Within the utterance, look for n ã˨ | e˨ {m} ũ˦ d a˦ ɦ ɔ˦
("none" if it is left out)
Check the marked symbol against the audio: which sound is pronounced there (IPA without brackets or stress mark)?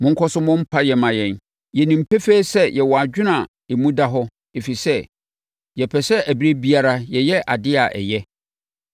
m